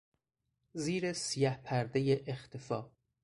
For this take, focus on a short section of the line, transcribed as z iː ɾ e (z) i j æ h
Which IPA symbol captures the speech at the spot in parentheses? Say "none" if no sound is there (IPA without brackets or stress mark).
s